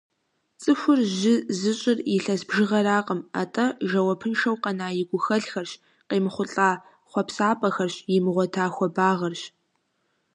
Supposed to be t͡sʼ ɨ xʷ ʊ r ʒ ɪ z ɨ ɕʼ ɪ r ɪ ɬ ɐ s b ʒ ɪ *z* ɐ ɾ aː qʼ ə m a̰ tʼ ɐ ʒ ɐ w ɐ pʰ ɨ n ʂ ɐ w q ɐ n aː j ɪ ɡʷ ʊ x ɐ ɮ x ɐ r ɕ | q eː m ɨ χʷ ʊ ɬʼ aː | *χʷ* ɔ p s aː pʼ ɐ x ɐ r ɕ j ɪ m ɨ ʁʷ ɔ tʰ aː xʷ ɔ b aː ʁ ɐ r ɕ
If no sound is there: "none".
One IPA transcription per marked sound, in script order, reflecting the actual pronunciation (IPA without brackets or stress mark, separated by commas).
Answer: ʁ, χʷ